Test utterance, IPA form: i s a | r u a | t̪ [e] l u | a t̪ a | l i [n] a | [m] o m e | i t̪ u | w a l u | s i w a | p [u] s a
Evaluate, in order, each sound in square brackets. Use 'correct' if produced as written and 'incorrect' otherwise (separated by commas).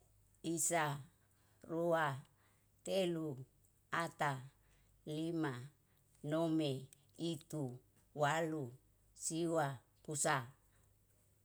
correct, incorrect, incorrect, correct